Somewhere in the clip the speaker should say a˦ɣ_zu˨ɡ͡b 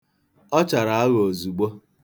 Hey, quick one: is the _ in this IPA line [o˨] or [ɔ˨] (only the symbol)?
o˨